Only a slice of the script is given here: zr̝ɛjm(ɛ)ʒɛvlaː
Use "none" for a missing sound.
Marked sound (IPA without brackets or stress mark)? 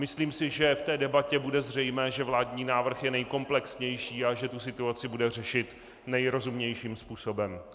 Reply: ɛː